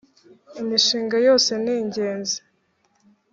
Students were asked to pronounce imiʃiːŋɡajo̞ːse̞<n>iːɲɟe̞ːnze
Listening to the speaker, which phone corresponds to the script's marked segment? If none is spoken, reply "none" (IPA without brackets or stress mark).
n